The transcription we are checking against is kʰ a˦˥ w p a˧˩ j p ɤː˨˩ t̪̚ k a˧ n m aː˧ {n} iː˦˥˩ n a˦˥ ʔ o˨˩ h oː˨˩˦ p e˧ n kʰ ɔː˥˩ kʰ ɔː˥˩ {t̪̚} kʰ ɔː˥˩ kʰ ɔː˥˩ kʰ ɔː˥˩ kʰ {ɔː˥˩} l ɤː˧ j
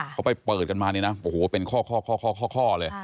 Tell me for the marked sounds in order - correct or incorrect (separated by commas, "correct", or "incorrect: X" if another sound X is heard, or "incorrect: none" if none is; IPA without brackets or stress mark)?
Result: correct, incorrect: none, correct